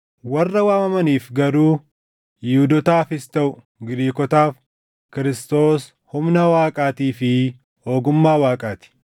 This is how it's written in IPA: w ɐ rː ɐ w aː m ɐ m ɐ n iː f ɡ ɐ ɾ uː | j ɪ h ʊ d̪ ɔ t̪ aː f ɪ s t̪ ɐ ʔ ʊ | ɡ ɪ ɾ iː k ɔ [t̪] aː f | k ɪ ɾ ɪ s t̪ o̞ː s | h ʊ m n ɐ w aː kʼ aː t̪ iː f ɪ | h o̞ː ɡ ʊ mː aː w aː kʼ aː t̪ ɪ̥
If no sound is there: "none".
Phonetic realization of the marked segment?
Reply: t̪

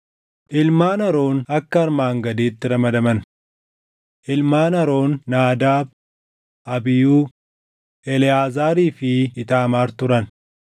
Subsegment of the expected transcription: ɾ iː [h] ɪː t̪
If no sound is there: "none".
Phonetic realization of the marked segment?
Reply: f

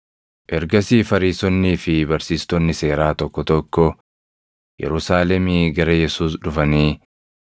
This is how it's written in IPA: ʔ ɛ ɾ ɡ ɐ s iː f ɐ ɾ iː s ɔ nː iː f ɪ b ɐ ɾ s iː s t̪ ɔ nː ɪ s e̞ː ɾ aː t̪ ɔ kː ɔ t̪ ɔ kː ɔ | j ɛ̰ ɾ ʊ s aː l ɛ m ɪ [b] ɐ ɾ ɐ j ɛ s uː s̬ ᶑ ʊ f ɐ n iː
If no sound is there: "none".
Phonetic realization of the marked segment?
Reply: ɡ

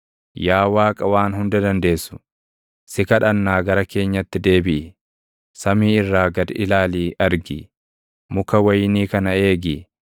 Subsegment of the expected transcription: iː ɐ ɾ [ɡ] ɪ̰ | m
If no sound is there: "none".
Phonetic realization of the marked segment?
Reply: ɡ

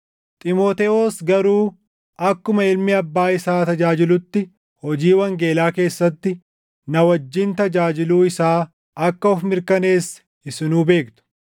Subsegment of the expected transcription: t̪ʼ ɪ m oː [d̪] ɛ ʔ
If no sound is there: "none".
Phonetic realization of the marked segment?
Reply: t̪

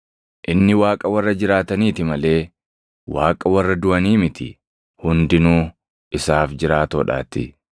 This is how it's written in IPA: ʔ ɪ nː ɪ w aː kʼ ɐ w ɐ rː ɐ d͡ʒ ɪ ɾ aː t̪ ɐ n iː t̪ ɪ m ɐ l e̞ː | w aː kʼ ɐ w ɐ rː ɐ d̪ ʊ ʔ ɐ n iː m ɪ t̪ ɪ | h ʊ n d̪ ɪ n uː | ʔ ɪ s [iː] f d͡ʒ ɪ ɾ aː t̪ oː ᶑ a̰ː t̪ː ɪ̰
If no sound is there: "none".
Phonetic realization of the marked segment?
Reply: aː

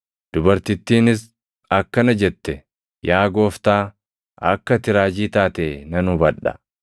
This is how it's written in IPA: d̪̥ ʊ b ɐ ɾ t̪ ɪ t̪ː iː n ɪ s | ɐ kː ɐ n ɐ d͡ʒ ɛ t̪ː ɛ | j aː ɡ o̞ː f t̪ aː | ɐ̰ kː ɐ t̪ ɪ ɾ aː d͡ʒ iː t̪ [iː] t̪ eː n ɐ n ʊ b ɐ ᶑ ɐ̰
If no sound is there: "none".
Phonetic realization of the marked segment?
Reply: aː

